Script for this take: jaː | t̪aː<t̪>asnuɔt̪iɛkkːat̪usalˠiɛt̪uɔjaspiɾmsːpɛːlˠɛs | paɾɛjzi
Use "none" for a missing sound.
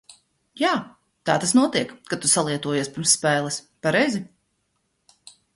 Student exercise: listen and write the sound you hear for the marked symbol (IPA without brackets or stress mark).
t̪